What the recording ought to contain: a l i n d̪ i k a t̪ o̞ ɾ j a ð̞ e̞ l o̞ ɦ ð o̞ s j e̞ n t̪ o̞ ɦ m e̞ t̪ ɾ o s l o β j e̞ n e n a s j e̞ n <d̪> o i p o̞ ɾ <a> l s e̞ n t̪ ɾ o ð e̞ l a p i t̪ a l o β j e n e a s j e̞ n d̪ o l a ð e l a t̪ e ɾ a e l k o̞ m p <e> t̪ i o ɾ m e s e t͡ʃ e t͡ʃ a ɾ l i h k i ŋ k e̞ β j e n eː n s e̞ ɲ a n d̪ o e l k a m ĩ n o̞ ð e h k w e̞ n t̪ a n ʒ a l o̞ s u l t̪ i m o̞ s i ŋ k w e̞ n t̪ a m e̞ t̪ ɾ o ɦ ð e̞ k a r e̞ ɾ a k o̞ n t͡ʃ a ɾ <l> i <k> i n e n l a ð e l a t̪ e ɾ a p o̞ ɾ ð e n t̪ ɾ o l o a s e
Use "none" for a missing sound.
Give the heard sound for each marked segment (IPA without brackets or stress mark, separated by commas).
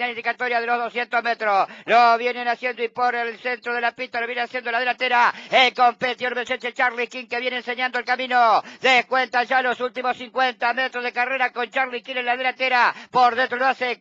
d̪, e, e, l, k